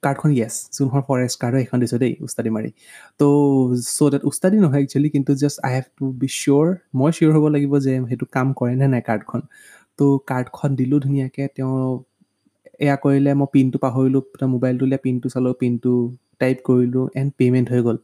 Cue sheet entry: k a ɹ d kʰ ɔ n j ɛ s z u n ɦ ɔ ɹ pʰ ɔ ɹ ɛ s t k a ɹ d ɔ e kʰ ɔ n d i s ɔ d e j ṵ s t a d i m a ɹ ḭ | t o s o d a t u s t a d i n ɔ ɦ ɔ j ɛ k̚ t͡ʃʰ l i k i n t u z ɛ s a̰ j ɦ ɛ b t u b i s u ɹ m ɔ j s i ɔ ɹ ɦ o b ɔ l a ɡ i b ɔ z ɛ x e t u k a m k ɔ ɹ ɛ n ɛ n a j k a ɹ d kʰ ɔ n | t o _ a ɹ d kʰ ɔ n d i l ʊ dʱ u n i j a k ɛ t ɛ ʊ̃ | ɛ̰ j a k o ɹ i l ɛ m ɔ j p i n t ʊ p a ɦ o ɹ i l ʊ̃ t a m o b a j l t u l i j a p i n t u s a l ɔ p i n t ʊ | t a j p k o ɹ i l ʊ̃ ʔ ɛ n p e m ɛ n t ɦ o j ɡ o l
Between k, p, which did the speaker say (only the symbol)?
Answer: k